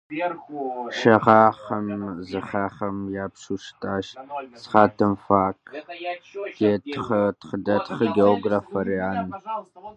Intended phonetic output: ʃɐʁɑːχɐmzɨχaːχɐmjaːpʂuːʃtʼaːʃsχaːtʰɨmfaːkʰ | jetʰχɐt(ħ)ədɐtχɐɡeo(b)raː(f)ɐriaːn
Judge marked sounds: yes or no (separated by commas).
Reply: no, no, yes